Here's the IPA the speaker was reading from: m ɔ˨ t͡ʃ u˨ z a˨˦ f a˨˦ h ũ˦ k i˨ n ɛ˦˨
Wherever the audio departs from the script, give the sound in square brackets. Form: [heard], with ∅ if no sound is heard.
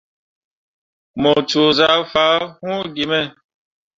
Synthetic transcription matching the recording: m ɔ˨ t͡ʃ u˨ z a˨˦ f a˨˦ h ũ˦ [ɡ] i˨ [m] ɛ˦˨